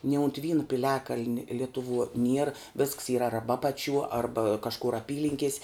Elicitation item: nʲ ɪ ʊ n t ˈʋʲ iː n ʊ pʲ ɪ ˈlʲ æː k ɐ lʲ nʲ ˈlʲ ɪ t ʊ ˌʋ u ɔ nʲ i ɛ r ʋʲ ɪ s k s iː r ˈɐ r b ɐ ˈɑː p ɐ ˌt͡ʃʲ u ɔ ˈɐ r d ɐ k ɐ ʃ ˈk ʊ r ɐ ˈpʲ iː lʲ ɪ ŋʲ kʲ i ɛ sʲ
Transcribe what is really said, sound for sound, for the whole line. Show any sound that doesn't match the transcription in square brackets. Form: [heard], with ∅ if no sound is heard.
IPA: nʲ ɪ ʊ n t ˈʋʲ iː n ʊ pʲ ɪ ˈlʲ æː k ɐ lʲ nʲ ˈlʲ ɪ t ʊ ˌʋ u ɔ nʲ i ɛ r ʋʲ ɪ s k s iː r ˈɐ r b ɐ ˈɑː p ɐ ˌt͡ʃʲ u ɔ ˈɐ r [b] ɐ k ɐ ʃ ˈk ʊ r ɐ ˈpʲ iː lʲ ɪ ŋʲ kʲ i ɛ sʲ